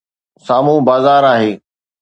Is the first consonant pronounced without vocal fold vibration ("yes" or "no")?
yes